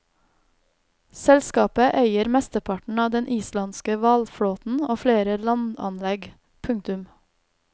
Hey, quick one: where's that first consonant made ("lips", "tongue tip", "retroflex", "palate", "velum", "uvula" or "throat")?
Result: tongue tip